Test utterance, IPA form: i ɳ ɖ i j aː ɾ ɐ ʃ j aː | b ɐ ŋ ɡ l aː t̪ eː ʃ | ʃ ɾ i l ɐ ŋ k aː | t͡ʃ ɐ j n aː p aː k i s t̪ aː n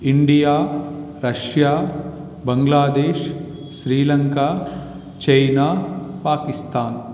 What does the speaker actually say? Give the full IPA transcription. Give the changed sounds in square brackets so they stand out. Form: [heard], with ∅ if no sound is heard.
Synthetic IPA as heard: i ɳ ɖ i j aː ɾ ɐ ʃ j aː | b ɐ ŋ ɡ l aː [d̪] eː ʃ | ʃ ɾ [iː] l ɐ ŋ k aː | t͡ʃ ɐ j n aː p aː k i s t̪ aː n